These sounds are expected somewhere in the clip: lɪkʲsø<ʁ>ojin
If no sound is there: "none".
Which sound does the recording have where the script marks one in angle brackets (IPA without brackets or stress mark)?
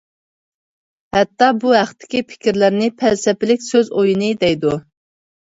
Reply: z